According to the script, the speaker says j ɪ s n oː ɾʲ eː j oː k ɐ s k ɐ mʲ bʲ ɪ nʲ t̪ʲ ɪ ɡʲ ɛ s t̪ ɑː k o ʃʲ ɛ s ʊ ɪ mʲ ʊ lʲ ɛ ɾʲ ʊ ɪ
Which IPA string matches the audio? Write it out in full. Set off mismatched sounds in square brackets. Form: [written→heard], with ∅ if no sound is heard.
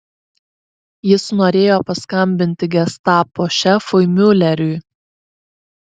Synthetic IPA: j ɪ s n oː ɾʲ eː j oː [k→p] ɐ s k ɐ mʲ bʲ ɪ nʲ t̪ʲ ɪ ɡʲ ɛ s t̪ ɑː [k→p] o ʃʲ ɛ [s→f] ʊ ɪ mʲ ʊ lʲ ɛ ɾʲ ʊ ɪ